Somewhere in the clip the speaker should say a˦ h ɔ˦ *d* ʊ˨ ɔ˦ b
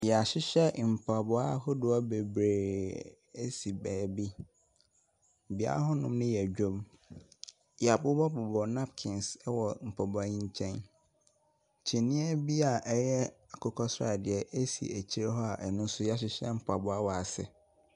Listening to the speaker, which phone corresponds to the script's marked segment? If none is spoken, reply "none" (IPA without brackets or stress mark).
d